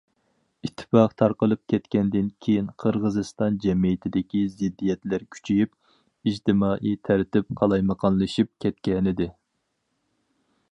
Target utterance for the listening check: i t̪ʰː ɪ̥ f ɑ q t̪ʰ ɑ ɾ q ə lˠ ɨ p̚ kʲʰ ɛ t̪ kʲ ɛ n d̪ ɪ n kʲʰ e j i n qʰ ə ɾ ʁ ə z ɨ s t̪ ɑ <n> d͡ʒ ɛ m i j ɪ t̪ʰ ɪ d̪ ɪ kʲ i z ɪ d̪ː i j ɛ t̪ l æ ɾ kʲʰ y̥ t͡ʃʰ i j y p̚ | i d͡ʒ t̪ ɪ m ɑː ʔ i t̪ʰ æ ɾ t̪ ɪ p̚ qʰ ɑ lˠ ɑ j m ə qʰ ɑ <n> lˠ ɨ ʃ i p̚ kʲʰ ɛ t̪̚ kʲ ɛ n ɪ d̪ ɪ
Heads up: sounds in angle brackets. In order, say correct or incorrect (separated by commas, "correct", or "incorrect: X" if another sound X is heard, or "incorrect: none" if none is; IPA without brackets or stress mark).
correct, correct